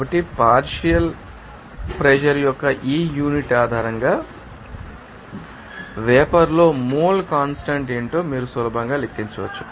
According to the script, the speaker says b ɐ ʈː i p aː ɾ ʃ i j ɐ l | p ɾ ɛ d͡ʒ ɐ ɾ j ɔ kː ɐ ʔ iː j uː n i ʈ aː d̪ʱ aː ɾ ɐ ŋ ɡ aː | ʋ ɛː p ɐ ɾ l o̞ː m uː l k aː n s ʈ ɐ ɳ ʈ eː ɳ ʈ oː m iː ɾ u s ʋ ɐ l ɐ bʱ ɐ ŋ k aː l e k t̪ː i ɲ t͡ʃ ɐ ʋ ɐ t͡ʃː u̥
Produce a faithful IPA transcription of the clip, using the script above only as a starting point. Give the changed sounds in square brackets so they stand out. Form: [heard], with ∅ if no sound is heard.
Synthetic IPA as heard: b ɐ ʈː i p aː ɾ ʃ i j ɐ l | p ɾ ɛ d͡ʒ ɐ ɾ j ɔ kː ɐ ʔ iː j uː n i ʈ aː d̪ʱ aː ɾ ɐ ŋ ɡ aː | ʋ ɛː p ɐ ɾ l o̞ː m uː l k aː n s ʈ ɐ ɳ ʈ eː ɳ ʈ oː m iː ɾ u s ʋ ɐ l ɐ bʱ ɐ ŋ [ɡ] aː l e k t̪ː i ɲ t͡ʃ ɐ ʋ ɐ t͡ʃː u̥